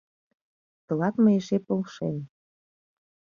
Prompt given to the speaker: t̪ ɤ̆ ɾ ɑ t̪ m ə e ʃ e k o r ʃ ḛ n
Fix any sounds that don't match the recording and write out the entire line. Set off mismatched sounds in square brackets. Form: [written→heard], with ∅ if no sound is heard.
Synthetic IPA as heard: t̪ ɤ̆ [ɾ→l] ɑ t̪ m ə e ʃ e [k→p] o [r→l] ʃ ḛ n